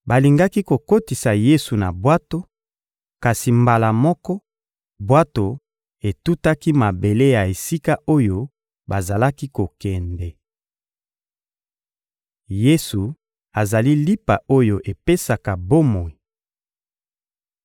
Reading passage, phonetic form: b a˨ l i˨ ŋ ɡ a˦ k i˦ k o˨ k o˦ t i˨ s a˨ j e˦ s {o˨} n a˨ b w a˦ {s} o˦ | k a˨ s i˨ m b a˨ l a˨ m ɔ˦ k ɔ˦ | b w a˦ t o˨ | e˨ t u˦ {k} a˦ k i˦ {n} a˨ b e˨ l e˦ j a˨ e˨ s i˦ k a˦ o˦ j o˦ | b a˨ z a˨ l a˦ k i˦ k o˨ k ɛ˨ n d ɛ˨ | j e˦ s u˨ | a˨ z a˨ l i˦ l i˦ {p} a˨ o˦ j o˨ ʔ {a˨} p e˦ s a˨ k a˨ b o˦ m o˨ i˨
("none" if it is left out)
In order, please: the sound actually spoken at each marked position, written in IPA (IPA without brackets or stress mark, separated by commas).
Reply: u˨, t, t, m, p, e˨